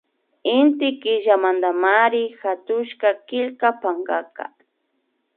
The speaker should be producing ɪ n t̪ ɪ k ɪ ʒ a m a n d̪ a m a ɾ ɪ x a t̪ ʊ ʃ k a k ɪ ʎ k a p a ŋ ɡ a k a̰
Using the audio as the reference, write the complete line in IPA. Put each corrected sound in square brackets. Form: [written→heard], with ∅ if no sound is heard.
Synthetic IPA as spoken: ɪ n t̪ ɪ k ɪ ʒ a m a n d̪ a m a ɾ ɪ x a t̪ ʊ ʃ k a k ɪ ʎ k a p a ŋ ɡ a k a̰